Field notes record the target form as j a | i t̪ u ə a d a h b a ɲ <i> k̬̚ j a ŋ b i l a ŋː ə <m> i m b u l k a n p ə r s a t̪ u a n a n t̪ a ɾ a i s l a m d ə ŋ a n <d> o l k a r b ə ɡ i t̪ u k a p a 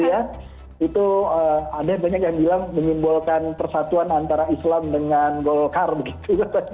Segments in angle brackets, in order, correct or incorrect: incorrect, incorrect, incorrect

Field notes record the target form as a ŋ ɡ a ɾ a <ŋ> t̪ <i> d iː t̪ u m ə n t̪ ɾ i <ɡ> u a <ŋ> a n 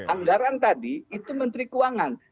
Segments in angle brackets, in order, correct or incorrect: incorrect, incorrect, incorrect, correct

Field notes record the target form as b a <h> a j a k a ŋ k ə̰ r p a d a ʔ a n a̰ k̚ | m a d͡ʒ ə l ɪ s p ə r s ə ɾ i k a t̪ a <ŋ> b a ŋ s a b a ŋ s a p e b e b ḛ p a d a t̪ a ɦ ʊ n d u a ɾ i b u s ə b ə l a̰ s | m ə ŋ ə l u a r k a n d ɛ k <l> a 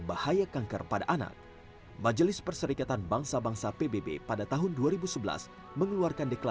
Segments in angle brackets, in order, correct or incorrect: correct, incorrect, correct

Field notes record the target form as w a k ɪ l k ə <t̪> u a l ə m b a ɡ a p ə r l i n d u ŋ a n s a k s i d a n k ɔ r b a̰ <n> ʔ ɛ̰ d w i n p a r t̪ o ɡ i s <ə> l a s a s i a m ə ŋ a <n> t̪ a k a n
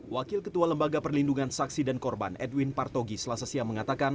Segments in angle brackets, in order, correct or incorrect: correct, correct, correct, incorrect

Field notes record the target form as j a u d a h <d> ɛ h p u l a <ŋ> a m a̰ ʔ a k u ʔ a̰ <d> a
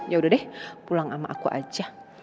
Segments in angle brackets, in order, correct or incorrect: correct, correct, incorrect

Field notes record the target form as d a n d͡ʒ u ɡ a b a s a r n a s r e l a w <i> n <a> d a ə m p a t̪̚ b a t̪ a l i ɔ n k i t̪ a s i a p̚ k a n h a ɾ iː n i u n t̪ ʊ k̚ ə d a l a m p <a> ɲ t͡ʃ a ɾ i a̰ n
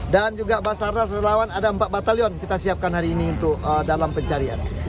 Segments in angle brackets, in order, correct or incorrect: incorrect, correct, incorrect

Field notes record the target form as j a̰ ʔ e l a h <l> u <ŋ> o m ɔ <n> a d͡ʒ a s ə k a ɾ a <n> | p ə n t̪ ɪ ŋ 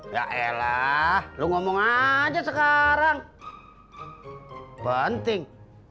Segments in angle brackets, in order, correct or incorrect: correct, correct, incorrect, incorrect

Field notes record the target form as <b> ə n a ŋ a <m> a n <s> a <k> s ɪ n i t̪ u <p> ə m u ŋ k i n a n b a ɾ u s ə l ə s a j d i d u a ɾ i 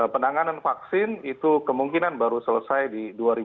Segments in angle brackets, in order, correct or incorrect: incorrect, incorrect, incorrect, correct, incorrect

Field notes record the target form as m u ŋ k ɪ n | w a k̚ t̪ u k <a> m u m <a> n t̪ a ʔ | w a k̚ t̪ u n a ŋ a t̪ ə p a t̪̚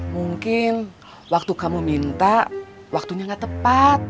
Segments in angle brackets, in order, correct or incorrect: correct, incorrect

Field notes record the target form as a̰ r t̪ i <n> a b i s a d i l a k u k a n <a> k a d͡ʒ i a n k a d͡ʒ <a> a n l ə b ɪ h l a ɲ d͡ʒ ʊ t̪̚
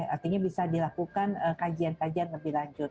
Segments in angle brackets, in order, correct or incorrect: incorrect, incorrect, incorrect

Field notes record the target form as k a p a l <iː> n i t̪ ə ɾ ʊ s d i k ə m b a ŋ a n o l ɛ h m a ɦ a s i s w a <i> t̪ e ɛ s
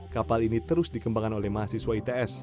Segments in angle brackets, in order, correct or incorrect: incorrect, correct

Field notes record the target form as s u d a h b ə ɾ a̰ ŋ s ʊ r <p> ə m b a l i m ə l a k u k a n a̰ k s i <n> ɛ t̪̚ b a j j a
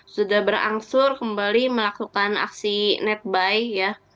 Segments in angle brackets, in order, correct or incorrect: incorrect, correct

